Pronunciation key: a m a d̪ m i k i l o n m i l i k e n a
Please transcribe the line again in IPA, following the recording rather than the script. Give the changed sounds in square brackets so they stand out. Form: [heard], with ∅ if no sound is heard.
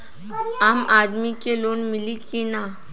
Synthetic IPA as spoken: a m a d̪ m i k [e] l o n m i l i k [i] n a